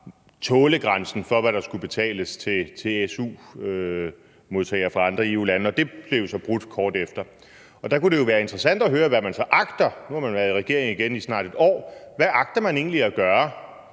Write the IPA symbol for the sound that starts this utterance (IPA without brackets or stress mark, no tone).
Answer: t͡sʰ